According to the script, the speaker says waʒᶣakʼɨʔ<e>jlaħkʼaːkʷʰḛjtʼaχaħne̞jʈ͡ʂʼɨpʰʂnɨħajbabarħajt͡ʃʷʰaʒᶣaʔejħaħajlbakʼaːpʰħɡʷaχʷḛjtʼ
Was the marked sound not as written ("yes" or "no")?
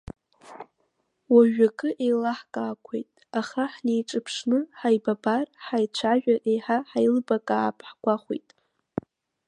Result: no